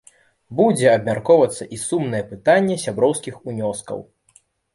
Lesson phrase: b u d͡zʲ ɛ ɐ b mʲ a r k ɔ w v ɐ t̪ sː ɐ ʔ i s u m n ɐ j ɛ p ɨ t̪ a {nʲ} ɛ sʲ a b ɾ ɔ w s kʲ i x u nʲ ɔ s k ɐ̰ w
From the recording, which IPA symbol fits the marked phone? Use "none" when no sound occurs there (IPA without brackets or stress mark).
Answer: nʲː